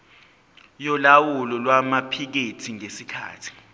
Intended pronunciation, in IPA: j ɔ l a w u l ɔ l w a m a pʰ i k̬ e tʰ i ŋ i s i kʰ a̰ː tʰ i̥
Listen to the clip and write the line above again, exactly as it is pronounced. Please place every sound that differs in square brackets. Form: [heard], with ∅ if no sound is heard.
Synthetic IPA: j ɔ l a w u l ɔ l w a m a pʰ i k̬ e tʰ i ŋ [e] s i kʰ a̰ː tʰ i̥